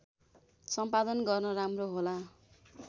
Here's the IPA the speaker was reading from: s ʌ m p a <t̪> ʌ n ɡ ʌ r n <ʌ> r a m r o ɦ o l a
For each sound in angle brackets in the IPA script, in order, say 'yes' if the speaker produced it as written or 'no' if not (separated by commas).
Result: no, yes